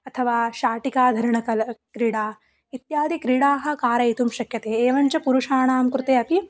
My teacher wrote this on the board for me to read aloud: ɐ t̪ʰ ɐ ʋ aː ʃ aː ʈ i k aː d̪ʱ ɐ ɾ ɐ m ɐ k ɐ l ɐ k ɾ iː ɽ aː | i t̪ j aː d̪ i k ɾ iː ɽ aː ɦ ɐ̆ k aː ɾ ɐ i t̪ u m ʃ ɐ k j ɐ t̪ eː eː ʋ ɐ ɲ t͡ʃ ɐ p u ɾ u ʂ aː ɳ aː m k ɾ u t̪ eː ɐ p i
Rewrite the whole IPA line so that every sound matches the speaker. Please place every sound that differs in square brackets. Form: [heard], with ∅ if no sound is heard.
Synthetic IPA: ɐ t̪ʰ ɐ ʋ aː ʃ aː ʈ i k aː d̪ʱ ɐ ɾ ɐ [ɳ] ɐ k ɐ l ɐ k ɾ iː ɽ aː | i t̪ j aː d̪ i k ɾ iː ɽ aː ɦ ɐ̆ k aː ɾ ɐ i t̪ u m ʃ ɐ k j ɐ t̪ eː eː ʋ ɐ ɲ t͡ʃ ɐ p u ɾ u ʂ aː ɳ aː m k ɾ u t̪ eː ɐ p i

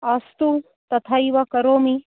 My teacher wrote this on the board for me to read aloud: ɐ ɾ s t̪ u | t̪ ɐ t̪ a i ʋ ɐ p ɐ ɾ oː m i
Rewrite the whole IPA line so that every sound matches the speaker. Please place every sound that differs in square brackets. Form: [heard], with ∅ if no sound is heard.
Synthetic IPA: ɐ [∅] s t̪ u | t̪ ɐ [t̪ʰ] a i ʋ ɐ [k] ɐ ɾ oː m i

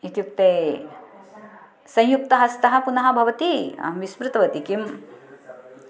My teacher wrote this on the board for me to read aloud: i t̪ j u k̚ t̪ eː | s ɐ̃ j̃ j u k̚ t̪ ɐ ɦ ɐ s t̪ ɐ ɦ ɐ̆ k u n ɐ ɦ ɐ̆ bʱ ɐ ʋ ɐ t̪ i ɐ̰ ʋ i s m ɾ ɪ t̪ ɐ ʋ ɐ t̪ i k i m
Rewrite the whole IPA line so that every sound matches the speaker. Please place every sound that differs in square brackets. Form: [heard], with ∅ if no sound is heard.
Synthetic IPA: i t̪ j u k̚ t̪ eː | s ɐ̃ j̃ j u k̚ t̪ ɐ ɦ ɐ s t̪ ɐ ɦ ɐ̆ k u n ɐ ɦ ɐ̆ bʱ ɐ ʋ ɐ t̪ i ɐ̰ ʋ i s m ɾ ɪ t̪ ɐ ʋ ɐ t̪ i k i m

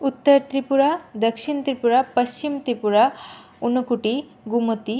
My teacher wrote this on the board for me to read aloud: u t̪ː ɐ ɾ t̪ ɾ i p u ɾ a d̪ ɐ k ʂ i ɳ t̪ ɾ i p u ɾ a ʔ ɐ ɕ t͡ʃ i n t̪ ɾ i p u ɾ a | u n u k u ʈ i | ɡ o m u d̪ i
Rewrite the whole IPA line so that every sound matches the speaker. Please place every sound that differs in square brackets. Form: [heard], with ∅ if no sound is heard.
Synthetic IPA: u t̪ː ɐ ɾ t̪ ɾ i p u ɾ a d̪ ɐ k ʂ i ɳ t̪ ɾ i p u ɾ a [p] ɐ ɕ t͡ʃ i [m] t̪ ɾ i p u ɾ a | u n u k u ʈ i | ɡ [u] m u [t̪] i

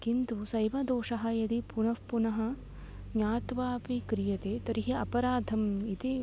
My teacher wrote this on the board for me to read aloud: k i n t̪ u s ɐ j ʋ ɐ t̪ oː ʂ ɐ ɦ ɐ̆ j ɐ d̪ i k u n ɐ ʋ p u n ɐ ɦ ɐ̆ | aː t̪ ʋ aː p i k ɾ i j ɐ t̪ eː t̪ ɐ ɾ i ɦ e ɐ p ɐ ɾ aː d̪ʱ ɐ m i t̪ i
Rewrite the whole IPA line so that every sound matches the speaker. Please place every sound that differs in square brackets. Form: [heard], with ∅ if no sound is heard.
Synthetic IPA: k i n t̪ u s ɐ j ʋ ɐ [d̪] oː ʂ ɐ ɦ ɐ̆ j ɐ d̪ i [p] u n ɐ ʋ p u n ɐ ɦ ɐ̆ | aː t̪ ʋ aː p i k ɾ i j ɐ t̪ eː t̪ ɐ ɾ i ɦ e ɐ p ɐ ɾ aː d̪ʱ ɐ m i t̪ i

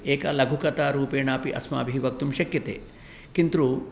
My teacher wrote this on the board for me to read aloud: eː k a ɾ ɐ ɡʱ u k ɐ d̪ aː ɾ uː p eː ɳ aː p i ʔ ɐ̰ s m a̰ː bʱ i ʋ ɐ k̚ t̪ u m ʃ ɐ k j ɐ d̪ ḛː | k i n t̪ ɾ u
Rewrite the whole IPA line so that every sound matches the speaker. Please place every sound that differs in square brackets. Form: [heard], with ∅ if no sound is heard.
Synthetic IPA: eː k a [l] ɐ ɡʱ u k ɐ [t̪] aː ɾ uː p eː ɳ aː p i ʔ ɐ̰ s m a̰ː bʱ i ʋ ɐ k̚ t̪ u m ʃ ɐ k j ɐ [t̪] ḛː | k i n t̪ ɾ u

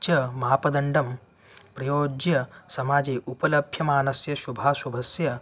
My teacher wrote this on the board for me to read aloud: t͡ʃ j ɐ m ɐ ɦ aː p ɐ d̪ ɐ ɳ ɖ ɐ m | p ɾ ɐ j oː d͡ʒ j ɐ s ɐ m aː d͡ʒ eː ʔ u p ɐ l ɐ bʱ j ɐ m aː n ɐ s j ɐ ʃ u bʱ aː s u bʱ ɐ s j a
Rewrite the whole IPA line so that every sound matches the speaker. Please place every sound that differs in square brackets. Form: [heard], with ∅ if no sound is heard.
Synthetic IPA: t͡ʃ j ɐ m ɐ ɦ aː p ɐ d̪ ɐ ɳ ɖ ɐ m | p ɾ ɐ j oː d͡ʒ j ɐ s ɐ m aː d͡ʒ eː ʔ u p ɐ l ɐ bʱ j ɐ m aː n ɐ s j ɐ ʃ u bʱ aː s u bʱ ɐ s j [ɐ]

